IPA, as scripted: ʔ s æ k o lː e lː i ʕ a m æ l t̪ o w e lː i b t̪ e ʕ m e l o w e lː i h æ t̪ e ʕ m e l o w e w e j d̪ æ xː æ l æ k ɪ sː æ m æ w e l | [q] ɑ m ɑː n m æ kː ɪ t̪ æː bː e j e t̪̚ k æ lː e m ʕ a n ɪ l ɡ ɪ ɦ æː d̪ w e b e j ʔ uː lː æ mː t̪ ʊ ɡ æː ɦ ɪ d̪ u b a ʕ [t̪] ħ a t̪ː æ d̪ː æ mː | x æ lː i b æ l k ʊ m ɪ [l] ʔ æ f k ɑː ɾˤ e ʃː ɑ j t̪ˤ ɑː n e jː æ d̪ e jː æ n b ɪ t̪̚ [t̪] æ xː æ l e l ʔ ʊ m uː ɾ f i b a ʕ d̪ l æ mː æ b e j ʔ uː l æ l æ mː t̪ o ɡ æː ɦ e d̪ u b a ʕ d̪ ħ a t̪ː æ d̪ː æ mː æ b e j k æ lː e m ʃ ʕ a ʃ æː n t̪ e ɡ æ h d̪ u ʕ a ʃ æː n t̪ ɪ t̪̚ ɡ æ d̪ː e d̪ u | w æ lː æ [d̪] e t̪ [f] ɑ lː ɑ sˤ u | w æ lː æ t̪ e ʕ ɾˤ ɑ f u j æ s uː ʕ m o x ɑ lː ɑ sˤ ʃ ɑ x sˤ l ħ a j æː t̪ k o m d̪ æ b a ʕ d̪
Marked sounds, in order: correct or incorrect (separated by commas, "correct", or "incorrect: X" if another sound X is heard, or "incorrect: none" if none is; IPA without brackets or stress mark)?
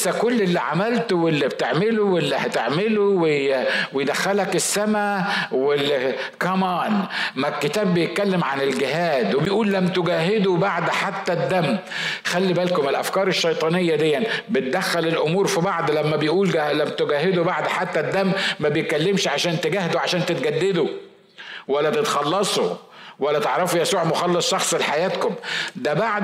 incorrect: k, incorrect: d̪, correct, incorrect: d̪, incorrect: t̪, incorrect: x